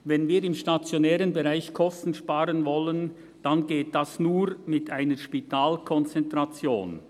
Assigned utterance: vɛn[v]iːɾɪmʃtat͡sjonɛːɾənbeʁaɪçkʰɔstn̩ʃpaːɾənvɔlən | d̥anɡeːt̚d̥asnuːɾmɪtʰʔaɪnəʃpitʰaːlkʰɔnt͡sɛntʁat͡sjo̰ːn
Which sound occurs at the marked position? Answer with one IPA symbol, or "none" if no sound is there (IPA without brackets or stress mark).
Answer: v